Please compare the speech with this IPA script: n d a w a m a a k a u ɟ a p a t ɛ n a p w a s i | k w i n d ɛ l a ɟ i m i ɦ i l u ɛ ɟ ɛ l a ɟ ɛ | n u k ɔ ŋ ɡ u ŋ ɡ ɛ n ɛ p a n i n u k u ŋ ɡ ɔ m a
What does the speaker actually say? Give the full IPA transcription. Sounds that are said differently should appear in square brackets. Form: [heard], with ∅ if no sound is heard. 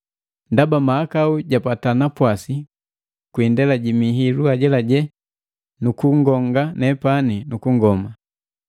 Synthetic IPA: n d a [b] a m a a k a u ɟ a p a t [a] n a p w a s i | k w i n d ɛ l a ɟ i m i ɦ i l u [a] ɟ ɛ l a ɟ ɛ | n u k [u] ŋ ɡ [ɔ] ŋ ɡ [a] n ɛ p a n i n u k u ŋ ɡ ɔ m a